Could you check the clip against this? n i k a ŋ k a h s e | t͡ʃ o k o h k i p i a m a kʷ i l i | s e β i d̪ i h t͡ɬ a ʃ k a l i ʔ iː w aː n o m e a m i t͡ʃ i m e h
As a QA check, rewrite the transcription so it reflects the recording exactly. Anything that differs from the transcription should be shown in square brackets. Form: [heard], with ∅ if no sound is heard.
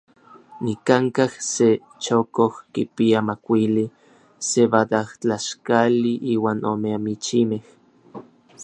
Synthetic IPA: n i k a ŋ k a h s e | t͡ʃ o k o h k i p i a m a kʷ i l i | s e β [a] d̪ [a] h t͡ɬ a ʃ k a l i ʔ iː w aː n o m e a m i t͡ʃ i m e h